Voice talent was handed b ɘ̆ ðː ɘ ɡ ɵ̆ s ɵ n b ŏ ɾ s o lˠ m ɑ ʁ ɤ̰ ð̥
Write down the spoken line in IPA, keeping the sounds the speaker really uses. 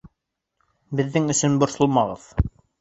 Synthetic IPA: b ɘ̆ ðː ɘ ŋ ɵ̆ s ɵ n b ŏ ɾ s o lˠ m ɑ ʁ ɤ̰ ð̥